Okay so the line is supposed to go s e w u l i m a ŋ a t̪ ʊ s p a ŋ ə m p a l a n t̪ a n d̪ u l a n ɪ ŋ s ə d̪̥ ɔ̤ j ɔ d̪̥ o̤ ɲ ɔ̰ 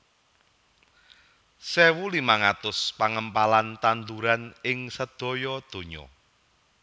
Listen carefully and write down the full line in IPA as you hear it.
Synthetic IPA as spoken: s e w u l i m a ŋ a t̪ ʊ s p a ŋ ə m p a l a n t̪ a n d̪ u ɾ a n ɪ ŋ s ə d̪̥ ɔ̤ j ɔ d̪̥ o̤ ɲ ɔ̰